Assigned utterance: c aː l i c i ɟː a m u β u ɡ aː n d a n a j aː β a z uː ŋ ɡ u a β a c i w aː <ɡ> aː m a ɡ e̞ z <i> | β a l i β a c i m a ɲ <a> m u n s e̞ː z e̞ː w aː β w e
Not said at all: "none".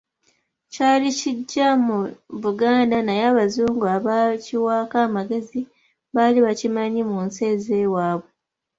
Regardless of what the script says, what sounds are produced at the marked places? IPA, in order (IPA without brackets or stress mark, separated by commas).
k, i, i